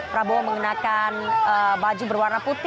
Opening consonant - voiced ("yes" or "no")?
no